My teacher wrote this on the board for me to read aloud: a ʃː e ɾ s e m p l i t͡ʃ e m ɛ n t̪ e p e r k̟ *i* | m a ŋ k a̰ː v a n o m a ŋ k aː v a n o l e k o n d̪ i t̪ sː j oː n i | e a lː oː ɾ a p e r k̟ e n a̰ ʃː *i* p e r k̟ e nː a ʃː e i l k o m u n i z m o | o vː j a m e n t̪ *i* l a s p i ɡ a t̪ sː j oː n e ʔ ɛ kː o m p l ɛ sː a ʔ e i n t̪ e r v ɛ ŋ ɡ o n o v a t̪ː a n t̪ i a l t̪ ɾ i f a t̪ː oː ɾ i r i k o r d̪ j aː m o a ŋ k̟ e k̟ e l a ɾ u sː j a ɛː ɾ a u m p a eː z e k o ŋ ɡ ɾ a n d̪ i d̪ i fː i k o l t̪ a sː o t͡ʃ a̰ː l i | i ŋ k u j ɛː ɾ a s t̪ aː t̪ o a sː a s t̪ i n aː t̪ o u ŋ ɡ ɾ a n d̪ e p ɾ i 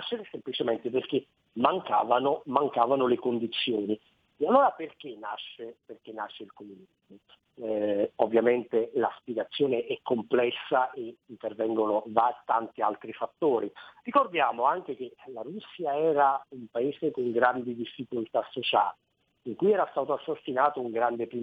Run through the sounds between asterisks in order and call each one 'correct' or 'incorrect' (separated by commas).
incorrect, incorrect, incorrect